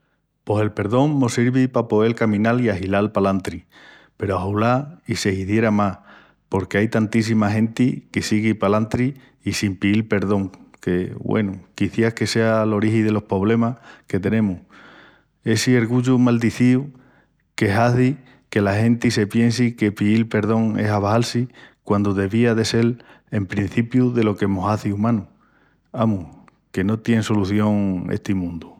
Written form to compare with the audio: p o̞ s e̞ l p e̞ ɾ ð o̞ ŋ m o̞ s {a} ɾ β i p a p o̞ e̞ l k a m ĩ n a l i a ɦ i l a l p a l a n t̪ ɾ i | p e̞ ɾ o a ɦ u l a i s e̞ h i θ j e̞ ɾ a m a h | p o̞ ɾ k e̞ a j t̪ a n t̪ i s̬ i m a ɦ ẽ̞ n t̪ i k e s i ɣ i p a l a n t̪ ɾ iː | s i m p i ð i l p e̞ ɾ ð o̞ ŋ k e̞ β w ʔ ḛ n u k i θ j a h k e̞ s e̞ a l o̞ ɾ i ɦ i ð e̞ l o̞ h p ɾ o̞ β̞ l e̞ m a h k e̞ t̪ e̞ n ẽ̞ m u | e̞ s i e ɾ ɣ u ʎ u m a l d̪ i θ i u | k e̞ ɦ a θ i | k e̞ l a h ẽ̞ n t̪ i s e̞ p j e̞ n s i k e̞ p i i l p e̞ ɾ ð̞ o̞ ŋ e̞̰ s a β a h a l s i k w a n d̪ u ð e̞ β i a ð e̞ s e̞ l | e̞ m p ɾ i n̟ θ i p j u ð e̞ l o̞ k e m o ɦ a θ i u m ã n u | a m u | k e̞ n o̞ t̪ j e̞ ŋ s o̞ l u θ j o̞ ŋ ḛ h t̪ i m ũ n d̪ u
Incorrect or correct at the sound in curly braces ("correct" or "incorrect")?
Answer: incorrect